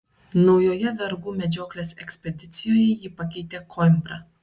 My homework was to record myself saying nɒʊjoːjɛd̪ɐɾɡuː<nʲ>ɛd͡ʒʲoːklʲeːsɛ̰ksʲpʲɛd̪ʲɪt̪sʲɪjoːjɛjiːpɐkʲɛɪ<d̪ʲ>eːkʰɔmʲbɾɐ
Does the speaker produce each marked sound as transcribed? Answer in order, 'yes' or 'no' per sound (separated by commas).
no, no